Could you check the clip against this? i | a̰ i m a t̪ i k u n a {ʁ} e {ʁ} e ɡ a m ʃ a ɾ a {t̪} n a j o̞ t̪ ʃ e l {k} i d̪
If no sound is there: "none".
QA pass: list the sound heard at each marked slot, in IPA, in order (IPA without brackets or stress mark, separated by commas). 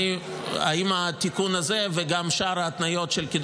z, v, t̪, k